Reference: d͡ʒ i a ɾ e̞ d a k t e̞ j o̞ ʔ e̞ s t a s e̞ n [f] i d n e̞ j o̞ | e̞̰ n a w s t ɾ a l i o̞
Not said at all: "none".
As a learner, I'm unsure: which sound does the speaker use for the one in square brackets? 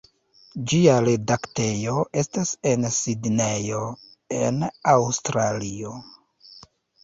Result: s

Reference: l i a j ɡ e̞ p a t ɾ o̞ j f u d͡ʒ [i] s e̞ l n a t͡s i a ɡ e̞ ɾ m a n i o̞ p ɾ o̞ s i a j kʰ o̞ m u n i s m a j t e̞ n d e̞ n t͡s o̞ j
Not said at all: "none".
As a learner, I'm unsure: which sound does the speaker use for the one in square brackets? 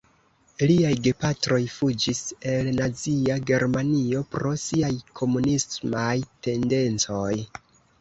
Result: i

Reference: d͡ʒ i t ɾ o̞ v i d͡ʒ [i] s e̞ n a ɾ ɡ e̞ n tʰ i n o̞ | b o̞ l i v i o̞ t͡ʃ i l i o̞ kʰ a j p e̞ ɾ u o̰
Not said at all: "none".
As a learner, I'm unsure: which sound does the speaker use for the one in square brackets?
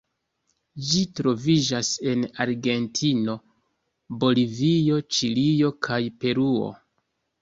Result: a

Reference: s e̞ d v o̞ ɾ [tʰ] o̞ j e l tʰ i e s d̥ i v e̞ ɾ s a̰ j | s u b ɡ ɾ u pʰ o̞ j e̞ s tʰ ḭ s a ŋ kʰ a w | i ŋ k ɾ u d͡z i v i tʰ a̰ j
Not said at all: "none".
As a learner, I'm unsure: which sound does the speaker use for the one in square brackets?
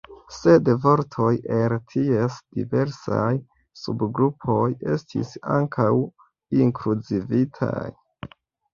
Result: tʰ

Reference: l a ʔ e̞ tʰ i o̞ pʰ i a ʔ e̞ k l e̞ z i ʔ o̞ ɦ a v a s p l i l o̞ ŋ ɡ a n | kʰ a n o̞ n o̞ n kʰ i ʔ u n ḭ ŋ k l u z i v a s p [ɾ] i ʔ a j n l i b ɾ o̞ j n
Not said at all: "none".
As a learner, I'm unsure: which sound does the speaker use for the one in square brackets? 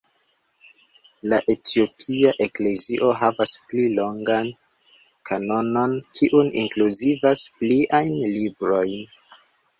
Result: l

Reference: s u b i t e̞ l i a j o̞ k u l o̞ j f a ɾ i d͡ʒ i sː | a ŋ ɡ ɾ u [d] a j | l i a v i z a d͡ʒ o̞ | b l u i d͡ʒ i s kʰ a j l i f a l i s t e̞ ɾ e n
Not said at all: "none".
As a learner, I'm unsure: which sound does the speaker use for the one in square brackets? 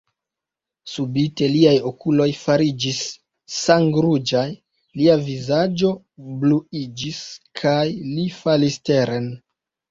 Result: d͡ʒ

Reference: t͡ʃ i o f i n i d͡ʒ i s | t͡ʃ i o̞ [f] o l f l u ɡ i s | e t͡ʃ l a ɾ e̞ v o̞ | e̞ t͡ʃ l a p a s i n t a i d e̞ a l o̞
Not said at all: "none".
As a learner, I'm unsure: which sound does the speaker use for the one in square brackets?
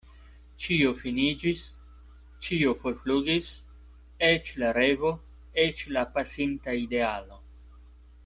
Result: f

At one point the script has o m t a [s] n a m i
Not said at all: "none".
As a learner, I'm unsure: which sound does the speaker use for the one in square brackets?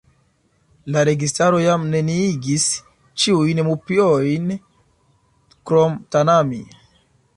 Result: none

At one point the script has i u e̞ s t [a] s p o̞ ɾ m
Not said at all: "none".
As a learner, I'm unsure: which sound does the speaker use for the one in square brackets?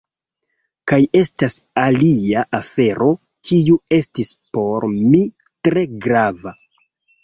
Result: i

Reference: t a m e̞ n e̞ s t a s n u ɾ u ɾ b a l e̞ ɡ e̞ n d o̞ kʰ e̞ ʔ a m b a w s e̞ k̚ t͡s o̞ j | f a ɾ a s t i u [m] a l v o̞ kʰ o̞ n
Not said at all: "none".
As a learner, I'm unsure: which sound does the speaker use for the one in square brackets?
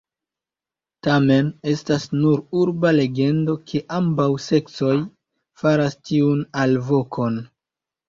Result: n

